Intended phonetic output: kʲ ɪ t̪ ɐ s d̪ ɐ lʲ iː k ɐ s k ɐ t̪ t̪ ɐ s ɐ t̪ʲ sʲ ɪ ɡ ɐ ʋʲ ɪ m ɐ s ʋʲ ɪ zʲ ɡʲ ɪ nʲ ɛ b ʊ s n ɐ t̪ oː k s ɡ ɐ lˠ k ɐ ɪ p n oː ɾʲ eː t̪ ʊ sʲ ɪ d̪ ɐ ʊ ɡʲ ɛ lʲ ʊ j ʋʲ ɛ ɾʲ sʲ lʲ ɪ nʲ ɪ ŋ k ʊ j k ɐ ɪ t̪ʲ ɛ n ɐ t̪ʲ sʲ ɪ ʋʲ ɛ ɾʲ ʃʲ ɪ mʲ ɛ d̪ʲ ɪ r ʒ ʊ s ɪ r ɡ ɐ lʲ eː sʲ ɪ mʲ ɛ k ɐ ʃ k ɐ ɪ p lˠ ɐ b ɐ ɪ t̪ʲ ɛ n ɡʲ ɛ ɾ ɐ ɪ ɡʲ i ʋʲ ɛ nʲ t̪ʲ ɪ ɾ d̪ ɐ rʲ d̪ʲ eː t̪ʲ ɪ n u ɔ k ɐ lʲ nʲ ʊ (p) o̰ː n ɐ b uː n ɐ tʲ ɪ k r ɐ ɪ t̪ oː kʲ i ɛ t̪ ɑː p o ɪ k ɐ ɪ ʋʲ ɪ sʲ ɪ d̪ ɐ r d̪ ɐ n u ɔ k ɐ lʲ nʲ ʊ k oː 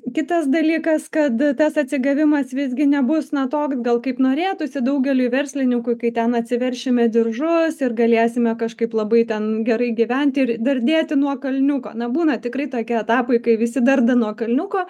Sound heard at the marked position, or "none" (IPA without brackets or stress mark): k